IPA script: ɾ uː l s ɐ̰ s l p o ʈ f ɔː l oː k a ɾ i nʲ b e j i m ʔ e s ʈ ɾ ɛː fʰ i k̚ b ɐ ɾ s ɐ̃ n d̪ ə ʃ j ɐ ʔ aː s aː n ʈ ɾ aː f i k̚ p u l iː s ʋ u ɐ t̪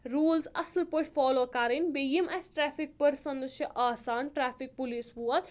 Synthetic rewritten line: ɾ uː l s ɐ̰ s l p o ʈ f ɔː l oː k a ɾ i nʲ b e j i m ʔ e s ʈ ɾ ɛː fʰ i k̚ p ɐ ɾ s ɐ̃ n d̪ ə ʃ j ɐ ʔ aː s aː n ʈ ɾ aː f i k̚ p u l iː s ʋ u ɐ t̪